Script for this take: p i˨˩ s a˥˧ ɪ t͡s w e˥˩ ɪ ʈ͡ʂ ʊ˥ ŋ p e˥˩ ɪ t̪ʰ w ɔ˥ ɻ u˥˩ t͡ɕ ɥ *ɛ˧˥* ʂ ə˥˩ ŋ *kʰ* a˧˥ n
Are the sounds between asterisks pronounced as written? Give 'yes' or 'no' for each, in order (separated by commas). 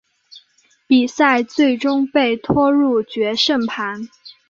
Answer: yes, no